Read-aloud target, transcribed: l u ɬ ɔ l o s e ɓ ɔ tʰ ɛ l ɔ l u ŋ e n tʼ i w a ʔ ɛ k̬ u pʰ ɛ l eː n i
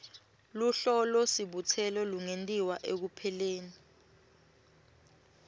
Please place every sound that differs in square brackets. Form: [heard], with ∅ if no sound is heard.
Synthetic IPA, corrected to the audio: l u ɬ ɔ l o s [i] ɓ [u] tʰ ɛ l ɔ l u ŋ e n tʼ i w a ʔ [e] k̬ u pʰ ɛ l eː n i

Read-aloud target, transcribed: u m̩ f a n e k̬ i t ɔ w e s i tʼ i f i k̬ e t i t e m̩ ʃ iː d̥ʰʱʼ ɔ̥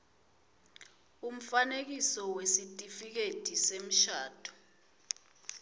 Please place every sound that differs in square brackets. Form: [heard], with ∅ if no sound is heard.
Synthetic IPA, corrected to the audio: u m̩ f a n e k̬ i [s] ɔ w e s i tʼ i f i k̬ e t i [s] e m̩ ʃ [aː] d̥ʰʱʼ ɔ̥

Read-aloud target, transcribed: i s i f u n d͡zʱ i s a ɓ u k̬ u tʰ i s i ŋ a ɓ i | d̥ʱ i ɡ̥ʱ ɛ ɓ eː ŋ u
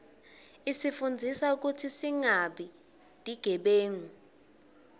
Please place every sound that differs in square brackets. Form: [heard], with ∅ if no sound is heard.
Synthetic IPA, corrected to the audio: i s i f u n d͡zʱ i s a [∅] u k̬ u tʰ i s i ŋ a ɓ i | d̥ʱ i ɡ̥ʱ ɛ ɓ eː ŋ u

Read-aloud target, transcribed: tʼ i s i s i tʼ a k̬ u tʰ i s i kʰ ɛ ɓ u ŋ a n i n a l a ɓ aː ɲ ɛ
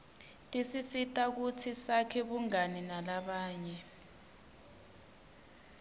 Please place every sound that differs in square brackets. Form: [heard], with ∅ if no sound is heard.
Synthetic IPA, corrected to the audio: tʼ i s i s i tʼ a k̬ u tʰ i s [a] kʰ ɛ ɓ u ŋ a n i n a l a ɓ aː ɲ ɛ

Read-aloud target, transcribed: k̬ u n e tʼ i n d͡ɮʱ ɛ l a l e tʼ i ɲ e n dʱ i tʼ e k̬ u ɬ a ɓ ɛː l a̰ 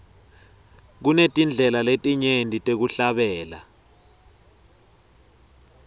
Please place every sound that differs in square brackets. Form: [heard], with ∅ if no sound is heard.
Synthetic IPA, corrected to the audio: k̬ u n e tʼ i n d͡ɮʱ ɛ l a l e tʼ i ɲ e n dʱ i tʼ e k̬ u ɬ a ɓ ɛː l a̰

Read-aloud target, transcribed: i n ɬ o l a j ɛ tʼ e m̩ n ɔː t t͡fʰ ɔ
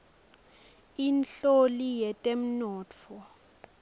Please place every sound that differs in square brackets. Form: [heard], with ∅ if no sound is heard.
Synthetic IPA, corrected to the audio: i n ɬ o l [i] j ɛ tʼ e m̩ n ɔː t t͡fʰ ɔ

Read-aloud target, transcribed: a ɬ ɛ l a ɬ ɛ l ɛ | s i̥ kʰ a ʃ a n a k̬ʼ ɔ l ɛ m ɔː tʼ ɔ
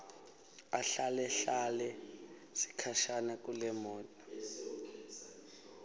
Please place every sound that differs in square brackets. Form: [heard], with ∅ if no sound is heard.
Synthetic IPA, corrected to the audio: a ɬ [a] l [ɛ] ɬ [a] l ɛ | s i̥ kʰ a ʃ a n a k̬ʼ [u] l ɛ m ɔː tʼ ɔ

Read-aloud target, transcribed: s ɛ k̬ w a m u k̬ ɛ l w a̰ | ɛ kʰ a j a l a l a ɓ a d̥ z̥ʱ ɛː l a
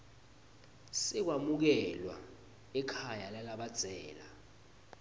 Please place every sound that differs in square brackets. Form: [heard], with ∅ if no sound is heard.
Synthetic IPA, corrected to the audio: s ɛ k̬ w a m u k̬ ɛ l w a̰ | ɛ kʰ a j a l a l a ɓ a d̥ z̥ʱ ɛː l a

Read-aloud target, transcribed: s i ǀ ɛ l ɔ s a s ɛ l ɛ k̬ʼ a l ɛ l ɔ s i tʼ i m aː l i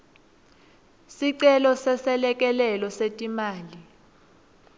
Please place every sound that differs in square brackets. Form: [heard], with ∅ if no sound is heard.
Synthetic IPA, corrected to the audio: s i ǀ ɛ l ɔ s [ɛ] s ɛ l ɛ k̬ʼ [ɛ] l ɛ l ɔ s [e] tʼ i m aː l i

